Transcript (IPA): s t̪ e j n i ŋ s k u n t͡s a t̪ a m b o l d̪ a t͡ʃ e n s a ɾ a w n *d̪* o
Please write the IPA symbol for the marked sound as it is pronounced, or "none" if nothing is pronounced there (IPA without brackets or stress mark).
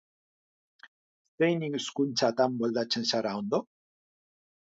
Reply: d̪